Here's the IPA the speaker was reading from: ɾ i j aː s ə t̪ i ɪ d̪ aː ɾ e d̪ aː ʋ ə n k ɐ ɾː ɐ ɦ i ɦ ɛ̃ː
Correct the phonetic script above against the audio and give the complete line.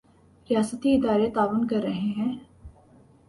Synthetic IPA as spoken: ɾ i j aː s ə t̪ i ɪ d̪ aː ɾ e t̪ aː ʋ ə n k ɐ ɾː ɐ ɦ e ɦ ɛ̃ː